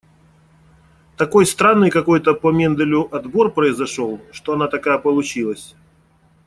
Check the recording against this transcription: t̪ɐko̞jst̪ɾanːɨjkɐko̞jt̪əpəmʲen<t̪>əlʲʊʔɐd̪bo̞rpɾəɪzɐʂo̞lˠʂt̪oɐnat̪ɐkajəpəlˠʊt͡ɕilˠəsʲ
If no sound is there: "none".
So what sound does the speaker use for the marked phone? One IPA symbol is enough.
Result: d̪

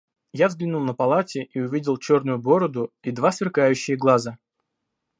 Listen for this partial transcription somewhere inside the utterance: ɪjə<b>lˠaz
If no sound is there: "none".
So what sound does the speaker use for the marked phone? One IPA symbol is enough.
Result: ɡ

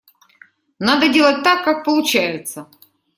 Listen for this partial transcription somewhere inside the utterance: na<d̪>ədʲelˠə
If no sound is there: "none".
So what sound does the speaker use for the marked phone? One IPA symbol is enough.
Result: d̪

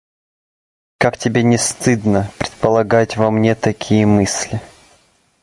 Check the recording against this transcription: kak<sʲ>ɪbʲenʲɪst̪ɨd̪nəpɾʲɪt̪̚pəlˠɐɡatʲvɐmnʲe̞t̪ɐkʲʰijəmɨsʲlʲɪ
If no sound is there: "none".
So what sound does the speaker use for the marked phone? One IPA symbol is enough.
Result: tʲ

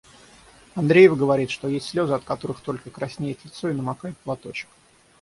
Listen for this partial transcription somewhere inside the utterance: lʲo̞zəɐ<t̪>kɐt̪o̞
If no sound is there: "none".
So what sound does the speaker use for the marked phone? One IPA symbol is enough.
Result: t̪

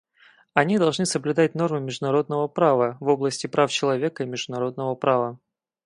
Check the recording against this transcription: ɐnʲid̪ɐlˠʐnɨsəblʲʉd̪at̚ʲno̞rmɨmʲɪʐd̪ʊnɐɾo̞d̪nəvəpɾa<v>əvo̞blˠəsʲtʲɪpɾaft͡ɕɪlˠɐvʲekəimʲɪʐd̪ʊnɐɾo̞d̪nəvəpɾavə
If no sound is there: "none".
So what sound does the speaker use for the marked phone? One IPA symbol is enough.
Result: v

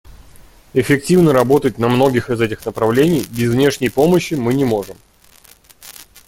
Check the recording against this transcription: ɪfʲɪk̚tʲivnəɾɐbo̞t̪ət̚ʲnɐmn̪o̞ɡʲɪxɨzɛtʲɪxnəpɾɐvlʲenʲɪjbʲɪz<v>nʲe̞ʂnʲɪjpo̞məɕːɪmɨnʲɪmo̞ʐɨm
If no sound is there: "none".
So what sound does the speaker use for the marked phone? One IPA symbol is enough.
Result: v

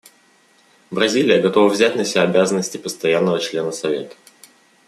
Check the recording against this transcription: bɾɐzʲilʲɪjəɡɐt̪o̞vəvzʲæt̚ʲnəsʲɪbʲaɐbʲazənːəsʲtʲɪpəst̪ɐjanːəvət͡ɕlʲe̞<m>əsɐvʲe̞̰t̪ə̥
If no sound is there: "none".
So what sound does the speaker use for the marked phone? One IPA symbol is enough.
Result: n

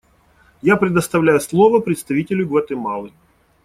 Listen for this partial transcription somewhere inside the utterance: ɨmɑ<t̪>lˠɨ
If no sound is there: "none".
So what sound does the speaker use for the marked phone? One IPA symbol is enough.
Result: none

